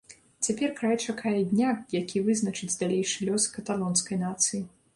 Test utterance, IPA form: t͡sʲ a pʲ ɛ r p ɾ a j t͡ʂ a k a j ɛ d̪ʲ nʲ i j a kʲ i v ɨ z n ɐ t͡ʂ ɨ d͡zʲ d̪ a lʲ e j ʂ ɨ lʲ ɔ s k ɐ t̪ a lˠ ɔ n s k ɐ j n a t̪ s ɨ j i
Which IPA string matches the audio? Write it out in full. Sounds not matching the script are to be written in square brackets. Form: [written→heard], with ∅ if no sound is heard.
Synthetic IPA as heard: t͡sʲ a pʲ ɛ r [p→k] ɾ a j t͡ʂ a k a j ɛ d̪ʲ nʲ [i→a] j a kʲ i v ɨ z n ɐ t͡ʂ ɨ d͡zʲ d̪ a lʲ e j ʂ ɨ lʲ ɔ s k ɐ t̪ a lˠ ɔ n s k ɐ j n a t̪ s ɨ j i